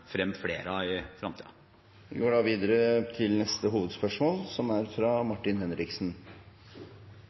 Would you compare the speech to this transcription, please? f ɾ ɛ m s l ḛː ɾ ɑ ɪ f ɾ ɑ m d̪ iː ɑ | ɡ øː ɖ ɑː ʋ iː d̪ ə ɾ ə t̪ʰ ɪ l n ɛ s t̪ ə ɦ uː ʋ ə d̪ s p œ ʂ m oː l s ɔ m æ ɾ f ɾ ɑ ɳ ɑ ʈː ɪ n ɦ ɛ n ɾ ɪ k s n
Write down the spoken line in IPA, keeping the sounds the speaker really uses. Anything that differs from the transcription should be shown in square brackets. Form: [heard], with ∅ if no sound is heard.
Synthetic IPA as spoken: f ɾ ɛ m [f] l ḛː ɾ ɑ ɪ f ɾ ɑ m [t̪] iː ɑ | ɡ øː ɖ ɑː ʋ iː d̪ ə ɾ ə t̪ʰ ɪ l n ɛ s t̪ ə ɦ uː ʋ ə d̪ s p œ ʂ m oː l s ɔ m æ ɾ f ɾ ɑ [m] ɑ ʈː ɪ n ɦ ɛ n ɾ ɪ k s n